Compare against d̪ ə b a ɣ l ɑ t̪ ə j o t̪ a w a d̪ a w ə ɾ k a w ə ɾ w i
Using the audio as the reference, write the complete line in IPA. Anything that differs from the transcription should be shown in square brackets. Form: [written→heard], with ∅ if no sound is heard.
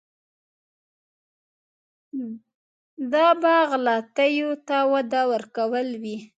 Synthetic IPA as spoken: d̪ [ə→ɑ] b [a→ɑ] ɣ l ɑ t̪ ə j o t̪ a w a d̪ a w ə ɾ k a w ə [ɾ→l] w i